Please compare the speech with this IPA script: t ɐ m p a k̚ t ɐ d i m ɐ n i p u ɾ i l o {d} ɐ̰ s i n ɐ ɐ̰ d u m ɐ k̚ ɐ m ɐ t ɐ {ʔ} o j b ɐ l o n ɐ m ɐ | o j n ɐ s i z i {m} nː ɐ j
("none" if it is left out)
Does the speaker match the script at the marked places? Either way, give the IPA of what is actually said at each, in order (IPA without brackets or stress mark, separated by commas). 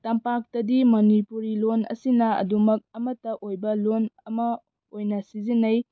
n, ʔ, none